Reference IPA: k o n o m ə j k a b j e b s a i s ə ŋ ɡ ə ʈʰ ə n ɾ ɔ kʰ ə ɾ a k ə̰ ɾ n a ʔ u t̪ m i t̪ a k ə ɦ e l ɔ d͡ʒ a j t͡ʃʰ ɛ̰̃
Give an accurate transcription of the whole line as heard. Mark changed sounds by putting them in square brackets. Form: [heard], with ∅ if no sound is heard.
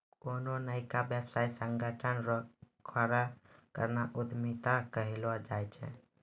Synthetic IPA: k o n o [n] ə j k a b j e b s a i s ə ŋ ɡ ə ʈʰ ə n ɾ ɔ kʰ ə ɾ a k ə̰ ɾ n a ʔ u [d̪] m i t̪ a k ə ɦ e l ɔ d͡ʒ a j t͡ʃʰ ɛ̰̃